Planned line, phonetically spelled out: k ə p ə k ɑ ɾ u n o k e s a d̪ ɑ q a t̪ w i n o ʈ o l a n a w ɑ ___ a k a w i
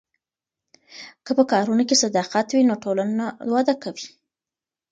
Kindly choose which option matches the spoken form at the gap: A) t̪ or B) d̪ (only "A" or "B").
B